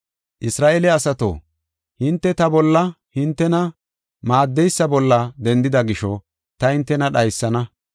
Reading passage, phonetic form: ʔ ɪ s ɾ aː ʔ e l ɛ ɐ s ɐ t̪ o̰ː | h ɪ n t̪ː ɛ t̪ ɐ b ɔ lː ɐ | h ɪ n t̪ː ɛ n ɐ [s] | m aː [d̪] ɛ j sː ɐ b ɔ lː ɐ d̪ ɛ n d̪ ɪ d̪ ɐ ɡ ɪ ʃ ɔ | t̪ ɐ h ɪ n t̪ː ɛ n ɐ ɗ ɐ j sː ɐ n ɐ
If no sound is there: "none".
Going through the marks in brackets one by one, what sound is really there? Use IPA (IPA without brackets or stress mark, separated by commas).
none, d̪ː